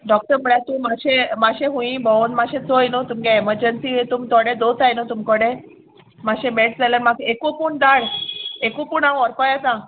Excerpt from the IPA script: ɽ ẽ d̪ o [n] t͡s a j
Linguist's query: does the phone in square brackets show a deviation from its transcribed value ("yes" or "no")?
yes